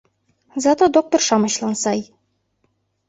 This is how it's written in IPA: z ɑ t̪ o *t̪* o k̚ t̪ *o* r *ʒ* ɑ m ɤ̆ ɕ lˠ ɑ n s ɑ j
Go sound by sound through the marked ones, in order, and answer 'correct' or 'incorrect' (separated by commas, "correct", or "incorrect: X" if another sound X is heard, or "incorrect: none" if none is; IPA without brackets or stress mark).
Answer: incorrect: d̪, correct, incorrect: ʃ